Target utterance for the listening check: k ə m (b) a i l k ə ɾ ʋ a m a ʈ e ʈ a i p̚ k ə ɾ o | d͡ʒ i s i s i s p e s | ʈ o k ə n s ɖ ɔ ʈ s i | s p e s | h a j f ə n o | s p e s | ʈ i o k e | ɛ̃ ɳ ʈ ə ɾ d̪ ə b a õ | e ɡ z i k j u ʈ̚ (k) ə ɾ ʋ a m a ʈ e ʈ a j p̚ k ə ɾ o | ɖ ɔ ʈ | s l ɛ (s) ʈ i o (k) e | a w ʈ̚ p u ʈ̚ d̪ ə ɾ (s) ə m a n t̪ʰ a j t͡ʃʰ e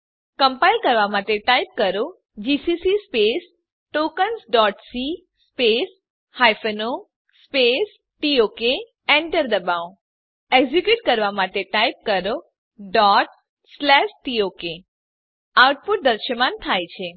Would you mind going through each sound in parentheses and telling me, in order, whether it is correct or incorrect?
incorrect: p, correct, incorrect: ʃ, correct, incorrect: ʃ

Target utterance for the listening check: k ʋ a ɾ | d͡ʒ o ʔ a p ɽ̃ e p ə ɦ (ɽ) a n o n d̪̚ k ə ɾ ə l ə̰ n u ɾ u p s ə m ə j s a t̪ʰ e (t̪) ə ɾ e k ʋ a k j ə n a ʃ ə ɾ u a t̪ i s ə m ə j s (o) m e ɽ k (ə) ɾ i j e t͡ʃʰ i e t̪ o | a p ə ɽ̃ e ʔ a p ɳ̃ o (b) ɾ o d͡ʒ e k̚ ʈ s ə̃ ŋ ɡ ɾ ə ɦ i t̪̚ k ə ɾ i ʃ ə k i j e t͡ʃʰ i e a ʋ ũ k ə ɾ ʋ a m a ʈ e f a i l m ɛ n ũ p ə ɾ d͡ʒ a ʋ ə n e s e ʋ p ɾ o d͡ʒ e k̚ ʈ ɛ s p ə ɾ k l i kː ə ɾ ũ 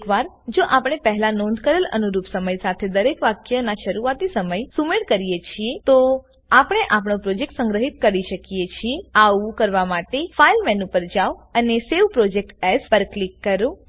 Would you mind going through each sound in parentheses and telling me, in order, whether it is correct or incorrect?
incorrect: l, incorrect: d̪, incorrect: u, correct, incorrect: p

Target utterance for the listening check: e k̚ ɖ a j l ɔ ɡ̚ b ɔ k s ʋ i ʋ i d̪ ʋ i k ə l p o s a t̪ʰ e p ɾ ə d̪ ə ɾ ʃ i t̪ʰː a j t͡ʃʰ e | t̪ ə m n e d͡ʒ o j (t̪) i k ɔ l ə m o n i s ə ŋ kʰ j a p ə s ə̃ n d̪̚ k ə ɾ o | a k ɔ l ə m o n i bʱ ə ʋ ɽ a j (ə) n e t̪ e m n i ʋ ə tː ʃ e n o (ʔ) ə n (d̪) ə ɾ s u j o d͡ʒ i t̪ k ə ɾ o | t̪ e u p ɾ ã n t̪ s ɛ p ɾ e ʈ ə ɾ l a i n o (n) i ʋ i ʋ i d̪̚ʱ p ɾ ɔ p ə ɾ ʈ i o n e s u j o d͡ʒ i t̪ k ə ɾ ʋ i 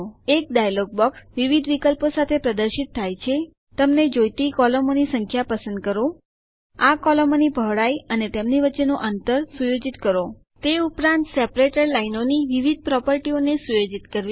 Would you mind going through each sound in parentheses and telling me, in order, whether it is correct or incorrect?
correct, correct, correct, incorrect: t̪, correct

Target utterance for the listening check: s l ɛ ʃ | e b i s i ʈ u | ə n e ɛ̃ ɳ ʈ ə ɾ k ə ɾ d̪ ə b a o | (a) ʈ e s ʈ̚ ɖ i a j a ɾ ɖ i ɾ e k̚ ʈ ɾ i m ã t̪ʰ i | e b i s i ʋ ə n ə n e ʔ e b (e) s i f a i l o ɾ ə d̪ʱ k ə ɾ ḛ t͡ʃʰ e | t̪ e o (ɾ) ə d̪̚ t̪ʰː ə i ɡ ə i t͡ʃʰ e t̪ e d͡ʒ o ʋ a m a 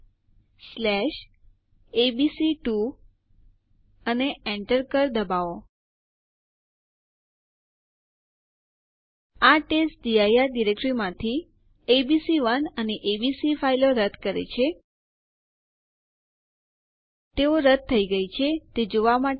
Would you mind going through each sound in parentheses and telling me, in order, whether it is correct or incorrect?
correct, incorrect: i, correct

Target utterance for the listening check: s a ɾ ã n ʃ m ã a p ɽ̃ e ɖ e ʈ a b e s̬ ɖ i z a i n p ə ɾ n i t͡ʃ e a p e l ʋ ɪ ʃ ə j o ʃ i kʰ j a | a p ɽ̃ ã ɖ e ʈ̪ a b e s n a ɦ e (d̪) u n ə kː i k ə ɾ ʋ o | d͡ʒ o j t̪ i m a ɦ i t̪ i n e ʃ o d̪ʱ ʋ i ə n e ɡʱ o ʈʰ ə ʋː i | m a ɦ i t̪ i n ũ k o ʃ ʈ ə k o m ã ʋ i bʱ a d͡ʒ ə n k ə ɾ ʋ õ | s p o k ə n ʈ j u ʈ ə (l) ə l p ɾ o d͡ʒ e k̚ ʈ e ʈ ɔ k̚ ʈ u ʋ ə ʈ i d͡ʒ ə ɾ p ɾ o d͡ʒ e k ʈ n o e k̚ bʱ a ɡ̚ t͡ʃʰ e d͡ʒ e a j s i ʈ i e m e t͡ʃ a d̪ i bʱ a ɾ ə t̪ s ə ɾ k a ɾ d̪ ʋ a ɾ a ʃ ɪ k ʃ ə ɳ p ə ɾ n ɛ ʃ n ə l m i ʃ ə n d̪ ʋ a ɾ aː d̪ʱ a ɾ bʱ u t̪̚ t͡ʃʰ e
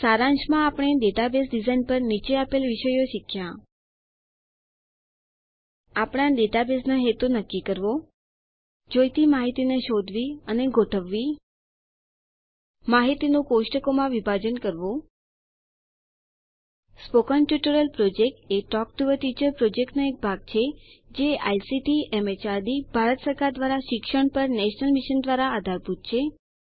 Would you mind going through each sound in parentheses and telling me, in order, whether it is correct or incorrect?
incorrect: t̪, incorrect: ɾ

